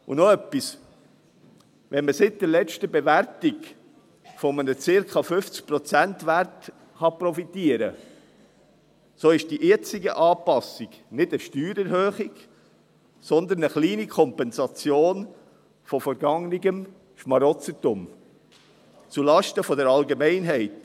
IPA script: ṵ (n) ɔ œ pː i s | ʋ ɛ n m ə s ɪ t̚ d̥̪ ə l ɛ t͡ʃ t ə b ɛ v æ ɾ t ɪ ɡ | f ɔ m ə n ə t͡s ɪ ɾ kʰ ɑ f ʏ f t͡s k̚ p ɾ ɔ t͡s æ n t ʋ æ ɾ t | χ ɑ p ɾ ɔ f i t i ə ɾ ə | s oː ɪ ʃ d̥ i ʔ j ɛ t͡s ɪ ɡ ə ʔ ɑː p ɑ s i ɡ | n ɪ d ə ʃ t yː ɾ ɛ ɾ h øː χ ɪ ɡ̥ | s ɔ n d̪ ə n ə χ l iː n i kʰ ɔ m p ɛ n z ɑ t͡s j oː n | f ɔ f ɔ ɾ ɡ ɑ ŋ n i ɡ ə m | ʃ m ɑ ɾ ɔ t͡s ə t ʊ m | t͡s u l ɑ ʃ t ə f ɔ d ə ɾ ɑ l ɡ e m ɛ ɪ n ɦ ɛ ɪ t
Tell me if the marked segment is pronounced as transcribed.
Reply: yes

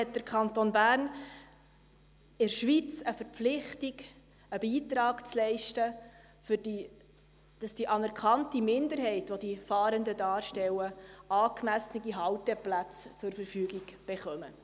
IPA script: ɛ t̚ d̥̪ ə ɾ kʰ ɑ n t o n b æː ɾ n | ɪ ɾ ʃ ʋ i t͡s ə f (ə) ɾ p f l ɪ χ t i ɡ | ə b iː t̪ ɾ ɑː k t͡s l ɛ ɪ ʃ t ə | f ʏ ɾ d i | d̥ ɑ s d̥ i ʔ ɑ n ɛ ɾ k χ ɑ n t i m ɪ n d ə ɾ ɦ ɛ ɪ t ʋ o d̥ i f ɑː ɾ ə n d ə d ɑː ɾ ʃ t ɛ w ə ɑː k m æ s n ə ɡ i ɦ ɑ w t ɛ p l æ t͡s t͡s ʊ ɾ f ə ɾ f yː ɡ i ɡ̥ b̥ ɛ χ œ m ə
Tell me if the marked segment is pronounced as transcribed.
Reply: yes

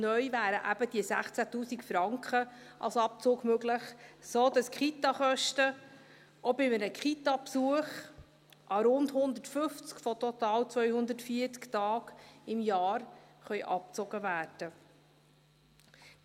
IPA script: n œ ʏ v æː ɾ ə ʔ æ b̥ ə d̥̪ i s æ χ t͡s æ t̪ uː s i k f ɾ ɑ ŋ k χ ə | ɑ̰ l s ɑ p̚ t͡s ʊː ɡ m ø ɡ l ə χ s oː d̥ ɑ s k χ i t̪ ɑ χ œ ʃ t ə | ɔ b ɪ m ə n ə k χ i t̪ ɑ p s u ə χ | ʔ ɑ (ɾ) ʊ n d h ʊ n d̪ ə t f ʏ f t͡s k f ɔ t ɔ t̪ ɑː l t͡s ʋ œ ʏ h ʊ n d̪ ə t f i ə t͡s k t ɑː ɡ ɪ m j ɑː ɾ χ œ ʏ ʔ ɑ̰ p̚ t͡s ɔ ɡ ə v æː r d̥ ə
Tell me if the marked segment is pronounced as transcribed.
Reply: yes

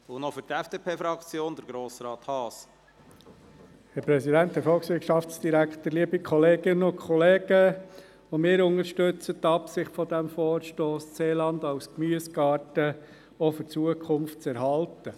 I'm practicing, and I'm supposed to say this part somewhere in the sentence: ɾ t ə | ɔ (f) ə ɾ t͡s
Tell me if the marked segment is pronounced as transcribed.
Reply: yes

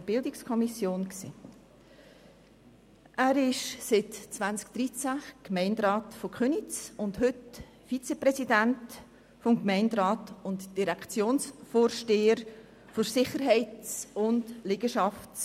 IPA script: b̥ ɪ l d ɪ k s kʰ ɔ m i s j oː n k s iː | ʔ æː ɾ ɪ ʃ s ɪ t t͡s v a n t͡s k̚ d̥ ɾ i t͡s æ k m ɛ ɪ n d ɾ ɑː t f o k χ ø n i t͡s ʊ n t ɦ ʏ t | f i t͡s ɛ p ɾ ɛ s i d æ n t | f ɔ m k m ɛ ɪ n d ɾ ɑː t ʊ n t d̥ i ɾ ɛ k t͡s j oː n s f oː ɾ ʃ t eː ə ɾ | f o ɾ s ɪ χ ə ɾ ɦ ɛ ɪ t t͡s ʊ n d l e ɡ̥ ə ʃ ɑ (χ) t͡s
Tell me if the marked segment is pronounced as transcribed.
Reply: no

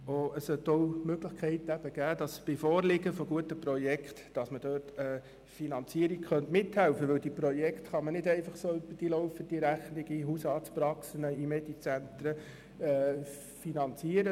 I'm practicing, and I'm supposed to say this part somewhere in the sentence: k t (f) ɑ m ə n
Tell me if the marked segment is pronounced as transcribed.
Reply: no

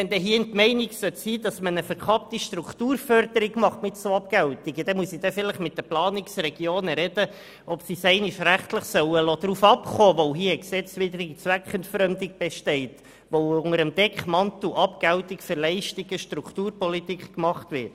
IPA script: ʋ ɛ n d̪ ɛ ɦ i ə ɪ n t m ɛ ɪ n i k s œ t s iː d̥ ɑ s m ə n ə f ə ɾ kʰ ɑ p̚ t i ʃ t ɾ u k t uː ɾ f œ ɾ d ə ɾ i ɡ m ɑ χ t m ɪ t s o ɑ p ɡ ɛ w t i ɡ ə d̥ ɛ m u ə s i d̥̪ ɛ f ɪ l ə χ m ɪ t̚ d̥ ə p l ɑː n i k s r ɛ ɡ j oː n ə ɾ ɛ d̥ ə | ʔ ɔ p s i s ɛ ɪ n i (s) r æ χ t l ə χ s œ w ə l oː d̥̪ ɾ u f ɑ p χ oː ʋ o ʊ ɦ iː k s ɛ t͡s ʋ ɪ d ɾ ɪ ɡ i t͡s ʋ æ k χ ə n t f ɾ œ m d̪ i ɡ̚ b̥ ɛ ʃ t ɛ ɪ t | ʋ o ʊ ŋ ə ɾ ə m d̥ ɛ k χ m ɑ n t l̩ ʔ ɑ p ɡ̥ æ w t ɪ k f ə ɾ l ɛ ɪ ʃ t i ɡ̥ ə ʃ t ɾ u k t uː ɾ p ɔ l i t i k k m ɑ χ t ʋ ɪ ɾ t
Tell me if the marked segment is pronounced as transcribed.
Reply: no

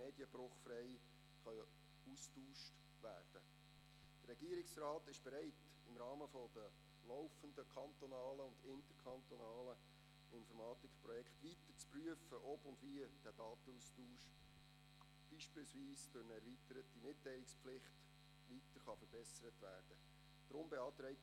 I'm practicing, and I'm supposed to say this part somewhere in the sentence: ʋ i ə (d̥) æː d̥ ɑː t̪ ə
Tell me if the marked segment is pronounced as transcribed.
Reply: yes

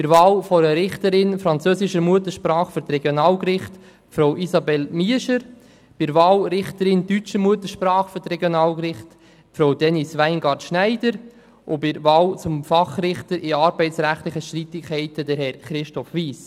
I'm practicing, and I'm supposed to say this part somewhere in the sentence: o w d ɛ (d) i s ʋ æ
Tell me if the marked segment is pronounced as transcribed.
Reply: no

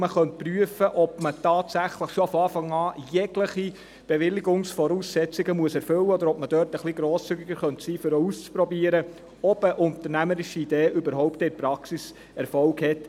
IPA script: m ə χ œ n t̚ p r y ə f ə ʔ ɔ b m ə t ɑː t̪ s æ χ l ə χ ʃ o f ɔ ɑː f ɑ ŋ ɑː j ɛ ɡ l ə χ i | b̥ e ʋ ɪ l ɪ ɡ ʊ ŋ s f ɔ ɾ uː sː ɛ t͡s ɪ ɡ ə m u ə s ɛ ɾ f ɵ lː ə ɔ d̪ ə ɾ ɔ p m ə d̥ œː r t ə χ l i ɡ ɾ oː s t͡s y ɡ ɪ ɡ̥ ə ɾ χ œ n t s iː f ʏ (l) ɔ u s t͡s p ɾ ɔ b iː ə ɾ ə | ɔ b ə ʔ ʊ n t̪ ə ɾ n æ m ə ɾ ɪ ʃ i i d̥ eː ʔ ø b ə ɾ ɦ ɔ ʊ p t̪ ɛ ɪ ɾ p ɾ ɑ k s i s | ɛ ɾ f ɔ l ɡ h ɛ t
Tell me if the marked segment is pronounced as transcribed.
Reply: no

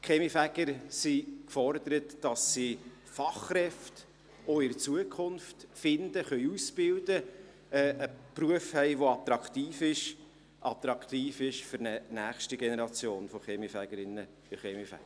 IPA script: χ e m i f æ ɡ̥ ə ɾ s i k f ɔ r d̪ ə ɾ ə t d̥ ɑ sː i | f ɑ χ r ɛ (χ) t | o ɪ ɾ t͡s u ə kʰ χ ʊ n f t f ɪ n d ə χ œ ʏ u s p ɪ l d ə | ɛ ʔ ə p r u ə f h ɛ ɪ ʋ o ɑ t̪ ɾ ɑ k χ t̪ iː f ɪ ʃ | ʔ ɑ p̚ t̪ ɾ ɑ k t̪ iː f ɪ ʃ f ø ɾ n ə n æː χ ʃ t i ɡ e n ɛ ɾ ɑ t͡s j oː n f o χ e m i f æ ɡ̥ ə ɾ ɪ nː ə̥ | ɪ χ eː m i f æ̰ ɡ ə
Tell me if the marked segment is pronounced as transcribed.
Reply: no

